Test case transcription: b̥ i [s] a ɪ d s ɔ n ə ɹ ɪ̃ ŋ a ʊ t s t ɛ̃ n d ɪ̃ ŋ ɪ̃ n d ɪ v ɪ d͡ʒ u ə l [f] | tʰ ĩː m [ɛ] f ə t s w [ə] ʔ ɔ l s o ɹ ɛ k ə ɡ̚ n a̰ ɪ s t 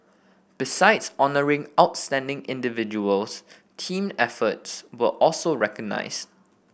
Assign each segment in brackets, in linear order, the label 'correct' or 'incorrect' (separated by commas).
correct, incorrect, correct, correct